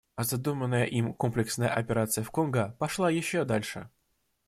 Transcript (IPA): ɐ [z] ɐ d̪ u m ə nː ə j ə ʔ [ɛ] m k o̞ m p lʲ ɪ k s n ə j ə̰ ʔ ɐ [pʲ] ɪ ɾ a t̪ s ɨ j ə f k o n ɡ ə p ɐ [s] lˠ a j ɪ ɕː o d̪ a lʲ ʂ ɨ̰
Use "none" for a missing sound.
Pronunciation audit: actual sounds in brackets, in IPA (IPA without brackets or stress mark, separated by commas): z, i, pʲ, ʂ